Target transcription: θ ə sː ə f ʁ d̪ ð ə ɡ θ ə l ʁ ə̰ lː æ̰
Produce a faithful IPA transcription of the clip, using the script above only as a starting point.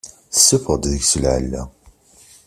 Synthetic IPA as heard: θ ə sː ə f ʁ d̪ ð ə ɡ s ə l ʕ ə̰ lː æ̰